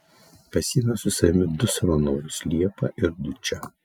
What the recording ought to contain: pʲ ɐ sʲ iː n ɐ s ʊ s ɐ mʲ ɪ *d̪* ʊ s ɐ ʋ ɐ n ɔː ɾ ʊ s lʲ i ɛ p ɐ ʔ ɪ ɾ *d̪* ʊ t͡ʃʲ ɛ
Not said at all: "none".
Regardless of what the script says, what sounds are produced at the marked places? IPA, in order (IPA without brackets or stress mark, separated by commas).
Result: d̪, d̪